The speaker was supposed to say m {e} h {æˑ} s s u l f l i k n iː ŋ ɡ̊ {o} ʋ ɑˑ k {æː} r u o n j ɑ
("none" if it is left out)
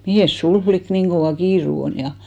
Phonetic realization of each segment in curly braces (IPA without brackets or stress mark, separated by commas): i, eˑ, o, iː